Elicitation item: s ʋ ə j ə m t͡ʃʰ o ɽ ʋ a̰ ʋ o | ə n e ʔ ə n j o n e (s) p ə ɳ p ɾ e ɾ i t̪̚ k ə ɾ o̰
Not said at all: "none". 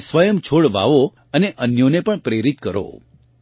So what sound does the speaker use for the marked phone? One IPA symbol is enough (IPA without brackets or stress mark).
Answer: none